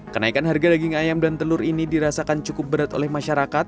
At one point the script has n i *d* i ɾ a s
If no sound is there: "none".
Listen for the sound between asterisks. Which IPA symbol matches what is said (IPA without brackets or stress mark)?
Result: d